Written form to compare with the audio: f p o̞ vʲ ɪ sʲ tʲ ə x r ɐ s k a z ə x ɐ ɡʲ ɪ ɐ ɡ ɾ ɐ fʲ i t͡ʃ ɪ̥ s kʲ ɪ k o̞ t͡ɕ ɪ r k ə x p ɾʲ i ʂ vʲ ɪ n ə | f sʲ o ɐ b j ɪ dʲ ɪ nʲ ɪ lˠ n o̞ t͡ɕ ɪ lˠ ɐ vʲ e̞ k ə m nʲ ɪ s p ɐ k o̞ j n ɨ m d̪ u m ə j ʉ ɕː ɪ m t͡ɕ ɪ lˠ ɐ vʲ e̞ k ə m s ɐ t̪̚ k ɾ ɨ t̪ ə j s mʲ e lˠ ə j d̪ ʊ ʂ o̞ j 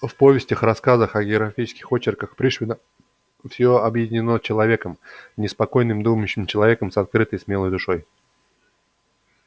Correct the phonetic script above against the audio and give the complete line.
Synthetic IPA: f p o̞ vʲ ɪ sʲ tʲ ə x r ɐ s k a z ə x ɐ ɡʲ ɪ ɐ ɡ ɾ ɐ fʲ i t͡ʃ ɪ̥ s kʲ ɪ x o̞ t͡ɕ ɪ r k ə x p ɾʲ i ʂ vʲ ɪ n ə | f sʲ o ɐ b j ɪ dʲ ɪ nʲ ɪ n o̞ t͡ɕ ɪ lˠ ɐ vʲ e̞ k ə m nʲ ɪ s p ɐ k o̞ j n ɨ m d̪ u m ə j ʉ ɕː ɪ m t͡ɕ ɪ lˠ ɐ vʲ e̞ k ə m s ɐ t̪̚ k ɾ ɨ t̪ ə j s mʲ e lˠ ə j d̪ ʊ ʂ o̞ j